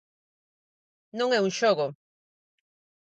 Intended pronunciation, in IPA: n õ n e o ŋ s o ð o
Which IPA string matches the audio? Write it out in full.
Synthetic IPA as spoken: n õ ŋ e u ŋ ʃ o ɣ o